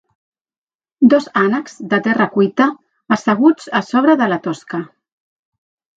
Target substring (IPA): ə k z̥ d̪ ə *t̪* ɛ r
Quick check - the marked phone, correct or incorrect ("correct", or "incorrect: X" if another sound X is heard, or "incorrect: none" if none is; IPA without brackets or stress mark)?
correct